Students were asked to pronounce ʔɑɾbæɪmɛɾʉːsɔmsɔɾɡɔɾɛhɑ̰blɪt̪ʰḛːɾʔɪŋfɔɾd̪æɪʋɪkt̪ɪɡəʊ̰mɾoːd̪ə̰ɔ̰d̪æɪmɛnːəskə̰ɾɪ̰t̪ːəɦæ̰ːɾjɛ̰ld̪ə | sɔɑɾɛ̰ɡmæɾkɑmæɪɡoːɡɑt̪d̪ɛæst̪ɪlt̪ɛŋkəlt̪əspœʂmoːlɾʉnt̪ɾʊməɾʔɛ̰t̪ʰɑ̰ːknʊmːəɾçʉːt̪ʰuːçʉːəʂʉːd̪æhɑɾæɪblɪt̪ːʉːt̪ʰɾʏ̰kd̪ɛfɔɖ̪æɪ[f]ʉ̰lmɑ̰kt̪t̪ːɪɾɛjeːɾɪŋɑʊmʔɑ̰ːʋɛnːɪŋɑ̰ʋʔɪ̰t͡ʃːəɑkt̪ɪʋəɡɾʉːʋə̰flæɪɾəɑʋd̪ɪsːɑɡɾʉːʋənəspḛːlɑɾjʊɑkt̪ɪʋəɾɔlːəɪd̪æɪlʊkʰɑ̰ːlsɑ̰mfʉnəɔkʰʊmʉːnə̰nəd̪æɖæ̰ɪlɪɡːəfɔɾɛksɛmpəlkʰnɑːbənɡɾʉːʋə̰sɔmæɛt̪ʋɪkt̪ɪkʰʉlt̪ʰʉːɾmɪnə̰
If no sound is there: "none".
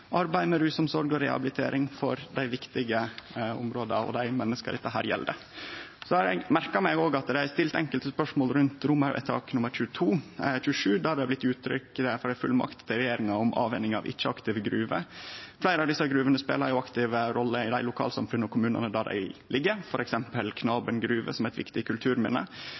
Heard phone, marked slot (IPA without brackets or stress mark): f